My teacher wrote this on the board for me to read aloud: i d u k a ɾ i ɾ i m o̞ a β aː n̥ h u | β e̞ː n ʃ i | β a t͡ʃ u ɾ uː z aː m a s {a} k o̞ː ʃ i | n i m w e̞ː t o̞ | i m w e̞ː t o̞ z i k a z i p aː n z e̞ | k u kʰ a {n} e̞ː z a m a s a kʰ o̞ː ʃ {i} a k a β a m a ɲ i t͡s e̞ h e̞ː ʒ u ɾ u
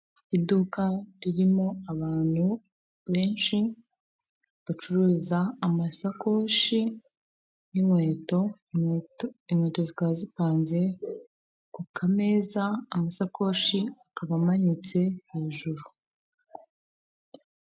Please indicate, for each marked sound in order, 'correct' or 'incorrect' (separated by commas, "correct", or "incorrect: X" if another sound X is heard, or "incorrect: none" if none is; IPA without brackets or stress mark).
correct, incorrect: m, correct